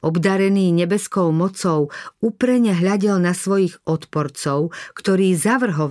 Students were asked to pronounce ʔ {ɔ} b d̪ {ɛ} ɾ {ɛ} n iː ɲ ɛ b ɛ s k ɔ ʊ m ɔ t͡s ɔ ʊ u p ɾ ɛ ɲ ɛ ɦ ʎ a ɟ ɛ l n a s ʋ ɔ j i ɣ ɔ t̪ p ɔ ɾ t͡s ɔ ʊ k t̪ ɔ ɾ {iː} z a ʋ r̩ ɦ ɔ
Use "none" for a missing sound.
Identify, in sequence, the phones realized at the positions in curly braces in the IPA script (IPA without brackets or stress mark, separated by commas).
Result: ɔ, a, ɛ, iː